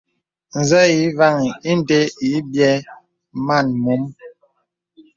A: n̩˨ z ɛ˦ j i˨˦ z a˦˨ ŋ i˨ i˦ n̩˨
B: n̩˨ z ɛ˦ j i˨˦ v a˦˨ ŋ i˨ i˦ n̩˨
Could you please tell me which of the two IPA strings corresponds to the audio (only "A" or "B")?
B